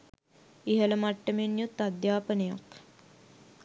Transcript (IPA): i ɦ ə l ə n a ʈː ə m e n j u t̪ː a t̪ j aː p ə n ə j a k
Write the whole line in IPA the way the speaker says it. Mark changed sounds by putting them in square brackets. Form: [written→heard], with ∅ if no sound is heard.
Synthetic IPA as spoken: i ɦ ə l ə [n→m] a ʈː ə m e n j u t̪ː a [t̪→d̪] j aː p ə n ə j a k